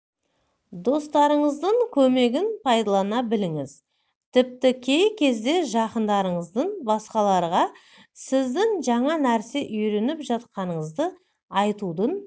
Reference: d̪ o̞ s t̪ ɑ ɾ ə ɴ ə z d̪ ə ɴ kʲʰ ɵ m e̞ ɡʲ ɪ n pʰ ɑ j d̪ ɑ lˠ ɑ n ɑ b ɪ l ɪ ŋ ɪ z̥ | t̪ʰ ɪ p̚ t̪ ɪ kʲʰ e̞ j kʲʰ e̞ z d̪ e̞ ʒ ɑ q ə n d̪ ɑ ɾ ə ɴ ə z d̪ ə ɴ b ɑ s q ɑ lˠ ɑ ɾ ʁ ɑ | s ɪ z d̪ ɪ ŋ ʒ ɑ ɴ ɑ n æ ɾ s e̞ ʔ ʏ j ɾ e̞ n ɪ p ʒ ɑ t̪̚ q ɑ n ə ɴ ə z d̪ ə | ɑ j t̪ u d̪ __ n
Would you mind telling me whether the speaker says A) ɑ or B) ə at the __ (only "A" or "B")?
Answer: B